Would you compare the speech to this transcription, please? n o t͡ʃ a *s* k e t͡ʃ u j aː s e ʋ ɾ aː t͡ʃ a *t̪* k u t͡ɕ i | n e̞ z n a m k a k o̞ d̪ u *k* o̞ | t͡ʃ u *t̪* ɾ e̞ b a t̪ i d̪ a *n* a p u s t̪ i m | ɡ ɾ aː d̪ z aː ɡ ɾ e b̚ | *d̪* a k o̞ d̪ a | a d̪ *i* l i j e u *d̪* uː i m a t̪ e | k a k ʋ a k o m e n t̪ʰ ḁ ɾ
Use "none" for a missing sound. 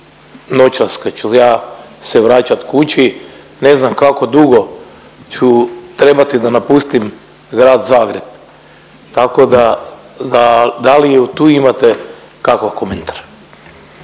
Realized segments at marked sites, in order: s, t̪, ɡ, t̪, n, t̪, a, t̪

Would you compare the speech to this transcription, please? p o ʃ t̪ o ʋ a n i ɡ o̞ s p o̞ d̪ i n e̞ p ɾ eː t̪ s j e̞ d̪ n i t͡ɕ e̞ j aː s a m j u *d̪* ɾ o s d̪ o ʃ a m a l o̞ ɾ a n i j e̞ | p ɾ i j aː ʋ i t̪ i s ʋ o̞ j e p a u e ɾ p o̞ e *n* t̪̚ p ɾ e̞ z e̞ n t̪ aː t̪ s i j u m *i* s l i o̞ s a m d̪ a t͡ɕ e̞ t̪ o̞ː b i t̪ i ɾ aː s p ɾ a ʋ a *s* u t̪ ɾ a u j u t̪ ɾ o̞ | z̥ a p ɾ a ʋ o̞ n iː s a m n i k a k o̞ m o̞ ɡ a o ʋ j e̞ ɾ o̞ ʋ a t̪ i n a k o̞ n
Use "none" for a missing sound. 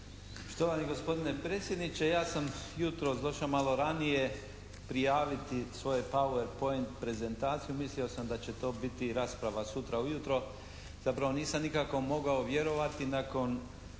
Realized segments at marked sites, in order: t̪, n, i, s

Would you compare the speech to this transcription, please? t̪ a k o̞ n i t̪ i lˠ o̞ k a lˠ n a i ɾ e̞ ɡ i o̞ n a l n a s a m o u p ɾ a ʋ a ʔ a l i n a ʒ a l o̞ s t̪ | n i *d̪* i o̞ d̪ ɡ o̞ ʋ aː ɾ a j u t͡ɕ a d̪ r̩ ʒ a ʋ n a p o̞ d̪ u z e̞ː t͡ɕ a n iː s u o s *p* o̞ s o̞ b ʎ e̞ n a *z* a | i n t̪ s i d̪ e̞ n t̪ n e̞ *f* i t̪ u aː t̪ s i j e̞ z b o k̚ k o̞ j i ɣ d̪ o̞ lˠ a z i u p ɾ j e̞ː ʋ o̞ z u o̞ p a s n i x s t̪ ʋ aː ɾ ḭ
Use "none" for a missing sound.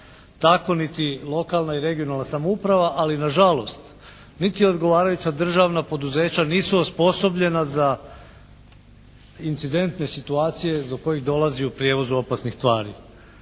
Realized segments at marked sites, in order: t̪, p, z, s

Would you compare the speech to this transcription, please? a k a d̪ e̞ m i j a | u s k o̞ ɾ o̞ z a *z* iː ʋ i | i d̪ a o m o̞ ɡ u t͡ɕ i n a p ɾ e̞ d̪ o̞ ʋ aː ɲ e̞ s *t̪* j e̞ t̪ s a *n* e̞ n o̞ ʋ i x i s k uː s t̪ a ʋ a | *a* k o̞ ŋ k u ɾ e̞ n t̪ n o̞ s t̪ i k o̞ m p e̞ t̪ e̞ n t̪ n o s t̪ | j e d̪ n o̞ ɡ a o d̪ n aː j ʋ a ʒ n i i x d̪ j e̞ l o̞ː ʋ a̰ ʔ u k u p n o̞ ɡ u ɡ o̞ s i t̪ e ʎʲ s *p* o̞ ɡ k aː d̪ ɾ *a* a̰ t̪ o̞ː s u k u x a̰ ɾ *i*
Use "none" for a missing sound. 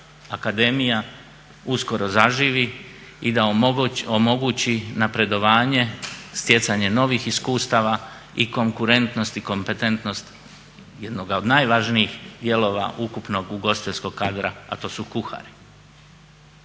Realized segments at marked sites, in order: ʒ, t̪, ɲ, i, k, a, i

